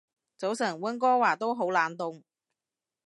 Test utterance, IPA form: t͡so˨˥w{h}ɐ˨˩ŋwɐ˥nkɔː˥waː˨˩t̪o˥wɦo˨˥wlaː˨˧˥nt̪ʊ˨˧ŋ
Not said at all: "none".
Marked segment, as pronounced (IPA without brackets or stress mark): s